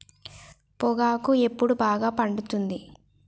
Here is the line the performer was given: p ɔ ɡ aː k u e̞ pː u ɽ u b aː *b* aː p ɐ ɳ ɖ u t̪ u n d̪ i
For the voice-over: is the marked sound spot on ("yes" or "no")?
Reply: no